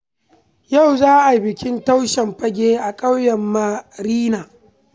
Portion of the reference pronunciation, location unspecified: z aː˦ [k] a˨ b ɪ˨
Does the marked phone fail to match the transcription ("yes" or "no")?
yes